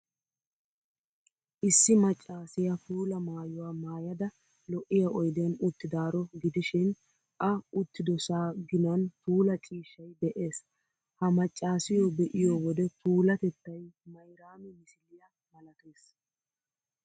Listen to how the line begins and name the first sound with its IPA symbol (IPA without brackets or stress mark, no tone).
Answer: ʔ